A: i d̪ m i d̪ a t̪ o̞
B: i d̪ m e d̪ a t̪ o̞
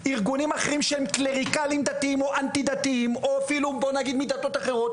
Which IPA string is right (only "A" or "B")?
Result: A